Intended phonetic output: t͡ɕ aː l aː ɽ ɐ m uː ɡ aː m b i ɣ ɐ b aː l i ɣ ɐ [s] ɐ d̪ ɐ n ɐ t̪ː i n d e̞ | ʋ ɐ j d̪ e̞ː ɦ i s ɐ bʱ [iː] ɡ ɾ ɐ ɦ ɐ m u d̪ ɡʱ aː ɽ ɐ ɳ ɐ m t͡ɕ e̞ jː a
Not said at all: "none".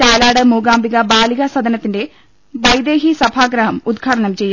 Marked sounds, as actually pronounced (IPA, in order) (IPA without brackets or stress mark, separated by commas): s, aː